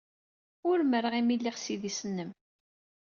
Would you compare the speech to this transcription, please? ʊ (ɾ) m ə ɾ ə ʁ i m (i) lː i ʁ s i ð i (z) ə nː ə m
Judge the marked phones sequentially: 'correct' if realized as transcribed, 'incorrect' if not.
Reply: correct, correct, incorrect: s

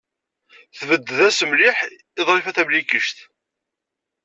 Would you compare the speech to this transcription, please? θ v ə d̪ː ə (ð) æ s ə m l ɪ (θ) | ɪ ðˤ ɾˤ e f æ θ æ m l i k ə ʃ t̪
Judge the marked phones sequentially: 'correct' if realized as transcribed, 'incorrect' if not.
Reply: correct, incorrect: ħ

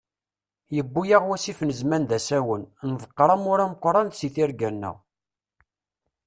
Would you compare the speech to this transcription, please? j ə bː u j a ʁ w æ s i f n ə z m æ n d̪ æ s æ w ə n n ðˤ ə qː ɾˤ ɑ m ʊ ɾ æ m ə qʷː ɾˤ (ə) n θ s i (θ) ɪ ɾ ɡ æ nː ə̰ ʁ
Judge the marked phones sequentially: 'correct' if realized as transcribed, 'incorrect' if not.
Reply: incorrect: ɑ, correct

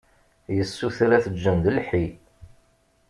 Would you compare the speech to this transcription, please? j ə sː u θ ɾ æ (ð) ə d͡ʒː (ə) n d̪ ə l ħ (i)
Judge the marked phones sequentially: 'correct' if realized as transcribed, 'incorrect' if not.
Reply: incorrect: θ, correct, correct

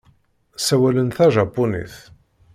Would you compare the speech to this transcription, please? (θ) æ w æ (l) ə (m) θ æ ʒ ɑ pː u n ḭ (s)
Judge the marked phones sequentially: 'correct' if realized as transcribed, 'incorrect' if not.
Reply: incorrect: s, correct, incorrect: n, incorrect: θ

